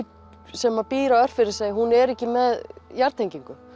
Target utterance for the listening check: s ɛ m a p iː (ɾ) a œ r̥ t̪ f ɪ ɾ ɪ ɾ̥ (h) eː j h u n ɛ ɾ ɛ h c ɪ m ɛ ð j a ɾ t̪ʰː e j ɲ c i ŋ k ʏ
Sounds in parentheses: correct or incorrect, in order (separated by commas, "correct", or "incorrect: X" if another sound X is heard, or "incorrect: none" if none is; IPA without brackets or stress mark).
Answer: correct, incorrect: s